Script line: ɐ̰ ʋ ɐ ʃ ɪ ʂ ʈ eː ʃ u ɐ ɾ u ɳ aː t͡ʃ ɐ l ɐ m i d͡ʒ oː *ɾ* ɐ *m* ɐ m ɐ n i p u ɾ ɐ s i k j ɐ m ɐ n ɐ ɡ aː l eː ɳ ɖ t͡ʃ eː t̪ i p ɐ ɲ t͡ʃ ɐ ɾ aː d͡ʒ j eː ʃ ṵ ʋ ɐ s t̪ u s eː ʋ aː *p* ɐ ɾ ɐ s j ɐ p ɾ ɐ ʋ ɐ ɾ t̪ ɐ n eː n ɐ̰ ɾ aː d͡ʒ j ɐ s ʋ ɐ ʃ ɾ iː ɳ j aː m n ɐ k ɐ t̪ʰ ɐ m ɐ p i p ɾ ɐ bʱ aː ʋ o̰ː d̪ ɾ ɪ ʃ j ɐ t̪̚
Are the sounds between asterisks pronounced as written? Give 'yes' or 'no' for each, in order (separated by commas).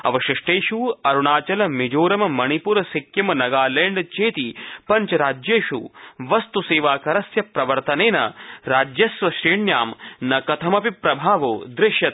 yes, yes, no